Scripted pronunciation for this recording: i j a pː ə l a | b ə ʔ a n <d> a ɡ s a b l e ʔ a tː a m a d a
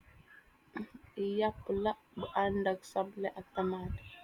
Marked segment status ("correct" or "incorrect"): correct